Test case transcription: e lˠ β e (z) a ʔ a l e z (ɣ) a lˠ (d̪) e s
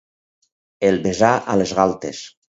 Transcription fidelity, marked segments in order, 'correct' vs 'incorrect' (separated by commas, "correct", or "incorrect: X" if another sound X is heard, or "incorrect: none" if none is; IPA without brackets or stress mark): correct, correct, incorrect: t̪